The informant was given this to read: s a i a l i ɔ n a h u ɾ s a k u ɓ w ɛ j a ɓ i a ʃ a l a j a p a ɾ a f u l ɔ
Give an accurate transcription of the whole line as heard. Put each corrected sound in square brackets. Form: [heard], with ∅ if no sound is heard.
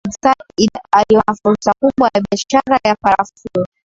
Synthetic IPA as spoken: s a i a l i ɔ n a [f] u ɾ s a k u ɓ w [a] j a ɓ i a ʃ a [ɾ] a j a p a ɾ a f u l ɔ